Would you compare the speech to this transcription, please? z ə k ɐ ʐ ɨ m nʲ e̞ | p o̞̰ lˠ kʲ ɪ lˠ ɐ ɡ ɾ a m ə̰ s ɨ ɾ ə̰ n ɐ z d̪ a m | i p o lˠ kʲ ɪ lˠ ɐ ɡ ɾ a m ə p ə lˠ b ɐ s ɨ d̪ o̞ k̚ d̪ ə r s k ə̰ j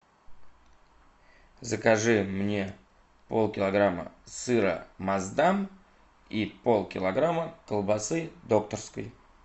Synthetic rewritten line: z ə k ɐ ʐ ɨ m nʲ e̞ | p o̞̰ lˠ kʲ ɪ lˠ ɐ ɡ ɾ a m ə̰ s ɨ ɾ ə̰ m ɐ z d̪ a m | i p o lˠ kʲ ɪ lˠ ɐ ɡ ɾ a m ə k ə lˠ b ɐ s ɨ d̪ o̞ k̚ t̪ ə r s k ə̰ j